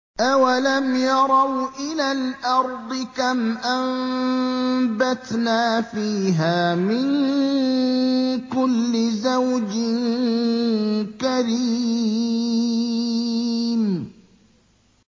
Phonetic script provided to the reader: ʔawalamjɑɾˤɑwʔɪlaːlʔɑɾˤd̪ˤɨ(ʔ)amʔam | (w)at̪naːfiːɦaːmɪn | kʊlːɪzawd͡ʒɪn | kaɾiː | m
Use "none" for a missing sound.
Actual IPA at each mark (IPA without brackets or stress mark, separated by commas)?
k, b